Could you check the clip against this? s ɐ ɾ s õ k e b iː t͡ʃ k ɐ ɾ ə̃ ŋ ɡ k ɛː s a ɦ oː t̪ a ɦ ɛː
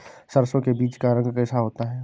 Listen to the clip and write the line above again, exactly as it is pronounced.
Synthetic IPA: s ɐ ɾ s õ k e b iː t͡ʃ k a ɾ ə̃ ŋ ɡ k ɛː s a ɦ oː t̪ a ɦ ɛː